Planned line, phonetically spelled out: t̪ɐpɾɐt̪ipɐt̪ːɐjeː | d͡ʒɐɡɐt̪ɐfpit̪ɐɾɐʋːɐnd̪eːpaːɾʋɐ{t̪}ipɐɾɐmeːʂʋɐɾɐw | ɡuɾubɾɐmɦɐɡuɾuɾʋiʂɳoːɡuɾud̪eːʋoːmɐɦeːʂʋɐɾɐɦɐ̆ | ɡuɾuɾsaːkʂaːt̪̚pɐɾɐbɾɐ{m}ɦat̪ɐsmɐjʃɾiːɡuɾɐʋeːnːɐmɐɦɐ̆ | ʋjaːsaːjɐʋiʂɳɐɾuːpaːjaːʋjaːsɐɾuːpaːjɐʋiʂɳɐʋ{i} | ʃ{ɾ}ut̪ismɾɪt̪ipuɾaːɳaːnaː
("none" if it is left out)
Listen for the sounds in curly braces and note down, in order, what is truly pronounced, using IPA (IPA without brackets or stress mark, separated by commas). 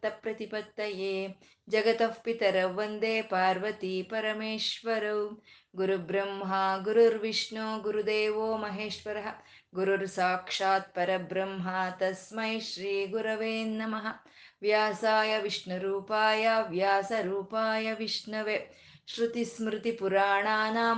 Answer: t̪, m, e, ɾ